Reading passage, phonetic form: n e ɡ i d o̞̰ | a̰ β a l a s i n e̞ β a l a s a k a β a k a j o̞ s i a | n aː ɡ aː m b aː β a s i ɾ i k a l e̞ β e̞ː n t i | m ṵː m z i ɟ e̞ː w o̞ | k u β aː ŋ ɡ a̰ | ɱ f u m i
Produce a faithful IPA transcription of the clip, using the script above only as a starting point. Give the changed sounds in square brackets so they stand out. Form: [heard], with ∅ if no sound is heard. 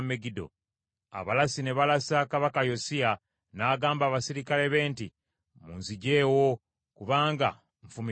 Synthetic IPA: [m] e ɡ i d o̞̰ | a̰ β a l a s i n e̞ β a l a s a k a β a k a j o̞ s i a | n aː ɡ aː m b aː β a s i ɾ i k a l e̞ β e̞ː n t i | m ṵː [n] z i ɟ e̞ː w o̞ | k u β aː ŋ ɡ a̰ | ɱ f u m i